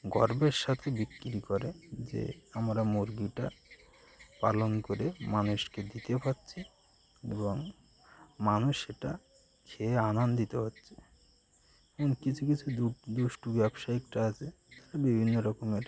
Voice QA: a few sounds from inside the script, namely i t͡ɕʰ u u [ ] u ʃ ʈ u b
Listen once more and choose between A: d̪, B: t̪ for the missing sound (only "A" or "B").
A